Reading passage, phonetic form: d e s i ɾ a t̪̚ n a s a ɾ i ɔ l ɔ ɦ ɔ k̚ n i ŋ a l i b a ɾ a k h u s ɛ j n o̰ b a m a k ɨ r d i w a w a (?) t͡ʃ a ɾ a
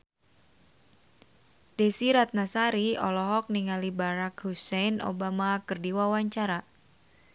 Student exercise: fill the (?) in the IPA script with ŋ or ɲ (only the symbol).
ɲ